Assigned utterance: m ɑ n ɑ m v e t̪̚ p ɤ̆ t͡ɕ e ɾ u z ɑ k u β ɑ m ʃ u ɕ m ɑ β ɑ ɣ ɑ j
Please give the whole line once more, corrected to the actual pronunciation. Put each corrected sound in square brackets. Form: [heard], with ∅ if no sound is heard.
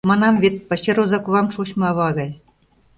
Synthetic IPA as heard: m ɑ n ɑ m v e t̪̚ p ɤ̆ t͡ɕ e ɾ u z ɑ k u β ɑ m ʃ u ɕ m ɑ β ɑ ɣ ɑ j